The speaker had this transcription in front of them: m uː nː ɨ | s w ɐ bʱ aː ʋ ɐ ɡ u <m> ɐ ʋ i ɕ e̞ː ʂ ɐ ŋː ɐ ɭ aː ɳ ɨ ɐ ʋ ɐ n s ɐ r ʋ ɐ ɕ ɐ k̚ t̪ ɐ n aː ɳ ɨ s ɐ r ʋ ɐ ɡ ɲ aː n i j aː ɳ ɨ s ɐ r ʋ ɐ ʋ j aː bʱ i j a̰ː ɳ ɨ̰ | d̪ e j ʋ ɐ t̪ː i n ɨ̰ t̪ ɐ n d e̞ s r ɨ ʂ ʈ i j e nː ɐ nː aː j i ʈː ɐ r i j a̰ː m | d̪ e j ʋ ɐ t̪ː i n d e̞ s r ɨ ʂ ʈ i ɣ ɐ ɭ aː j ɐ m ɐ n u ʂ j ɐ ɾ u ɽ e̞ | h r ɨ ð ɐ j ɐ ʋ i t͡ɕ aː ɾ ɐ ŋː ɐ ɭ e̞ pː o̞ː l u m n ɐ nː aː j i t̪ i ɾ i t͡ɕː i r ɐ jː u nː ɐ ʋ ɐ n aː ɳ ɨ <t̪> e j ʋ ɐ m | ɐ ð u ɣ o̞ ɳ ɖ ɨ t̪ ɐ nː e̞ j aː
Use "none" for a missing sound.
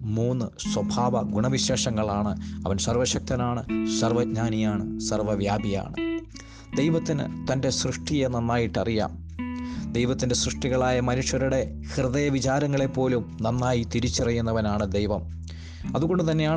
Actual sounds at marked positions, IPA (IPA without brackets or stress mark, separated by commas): ɳ, d̪